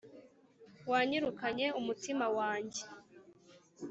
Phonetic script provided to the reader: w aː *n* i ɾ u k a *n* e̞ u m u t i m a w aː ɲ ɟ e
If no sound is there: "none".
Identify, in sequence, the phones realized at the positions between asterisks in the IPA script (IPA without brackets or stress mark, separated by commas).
ɲ, ɲ